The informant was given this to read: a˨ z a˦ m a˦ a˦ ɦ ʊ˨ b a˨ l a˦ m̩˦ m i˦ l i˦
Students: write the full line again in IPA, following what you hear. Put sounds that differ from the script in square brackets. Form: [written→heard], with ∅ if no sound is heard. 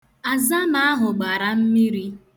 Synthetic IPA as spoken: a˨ z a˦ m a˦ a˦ ɦ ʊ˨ [b→ɡ͡b] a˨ [l→ɾ] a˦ m̩˦ m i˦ [l→ɾ] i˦